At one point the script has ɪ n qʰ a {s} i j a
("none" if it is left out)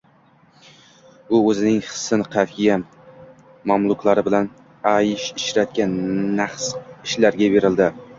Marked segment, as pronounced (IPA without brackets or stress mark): f